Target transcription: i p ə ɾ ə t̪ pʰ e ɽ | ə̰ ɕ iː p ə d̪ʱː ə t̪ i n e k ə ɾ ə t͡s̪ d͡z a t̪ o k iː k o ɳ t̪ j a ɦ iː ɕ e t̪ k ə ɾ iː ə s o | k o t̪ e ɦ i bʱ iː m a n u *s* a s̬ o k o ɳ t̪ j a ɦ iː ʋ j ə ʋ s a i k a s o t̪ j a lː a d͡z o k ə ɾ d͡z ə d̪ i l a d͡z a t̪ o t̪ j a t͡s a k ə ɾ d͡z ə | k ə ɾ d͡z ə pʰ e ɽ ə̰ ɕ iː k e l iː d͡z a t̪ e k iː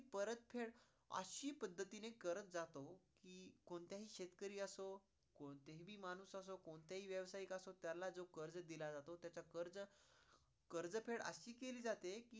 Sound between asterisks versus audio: correct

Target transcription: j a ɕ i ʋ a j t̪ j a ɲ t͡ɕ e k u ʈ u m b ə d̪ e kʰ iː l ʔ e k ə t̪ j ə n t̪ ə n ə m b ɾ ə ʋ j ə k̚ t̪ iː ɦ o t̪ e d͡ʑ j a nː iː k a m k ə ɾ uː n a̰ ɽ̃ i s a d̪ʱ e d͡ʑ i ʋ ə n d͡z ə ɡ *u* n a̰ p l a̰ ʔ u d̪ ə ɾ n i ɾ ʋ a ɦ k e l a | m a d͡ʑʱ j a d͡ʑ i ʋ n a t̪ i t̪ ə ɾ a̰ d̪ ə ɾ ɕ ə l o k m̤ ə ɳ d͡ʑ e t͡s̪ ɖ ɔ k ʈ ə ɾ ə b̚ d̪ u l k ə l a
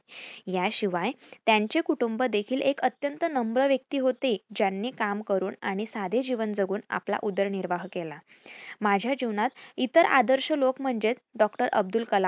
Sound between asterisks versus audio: incorrect: uː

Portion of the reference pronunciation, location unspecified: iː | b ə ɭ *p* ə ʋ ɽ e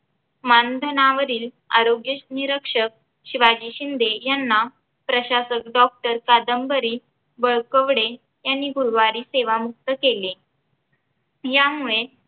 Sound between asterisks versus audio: incorrect: k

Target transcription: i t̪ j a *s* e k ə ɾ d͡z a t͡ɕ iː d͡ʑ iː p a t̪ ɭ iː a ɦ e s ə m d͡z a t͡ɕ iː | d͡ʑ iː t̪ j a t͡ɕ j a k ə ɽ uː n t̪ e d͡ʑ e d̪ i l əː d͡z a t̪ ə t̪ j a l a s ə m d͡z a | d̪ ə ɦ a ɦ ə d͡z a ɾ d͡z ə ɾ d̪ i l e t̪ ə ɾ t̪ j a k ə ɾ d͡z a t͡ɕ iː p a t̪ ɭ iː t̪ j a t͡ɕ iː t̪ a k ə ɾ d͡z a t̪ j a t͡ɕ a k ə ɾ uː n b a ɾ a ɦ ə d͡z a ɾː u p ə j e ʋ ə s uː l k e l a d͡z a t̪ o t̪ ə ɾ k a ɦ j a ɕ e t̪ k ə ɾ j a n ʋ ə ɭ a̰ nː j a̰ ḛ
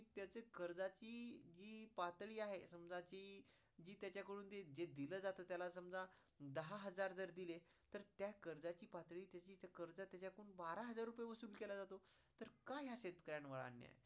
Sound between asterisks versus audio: incorrect: t͡s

